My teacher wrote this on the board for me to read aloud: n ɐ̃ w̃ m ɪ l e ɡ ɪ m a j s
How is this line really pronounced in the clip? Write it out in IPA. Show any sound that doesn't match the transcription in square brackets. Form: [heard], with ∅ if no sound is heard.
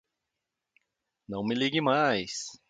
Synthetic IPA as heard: n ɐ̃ w̃ m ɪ l [i] ɡ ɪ m a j s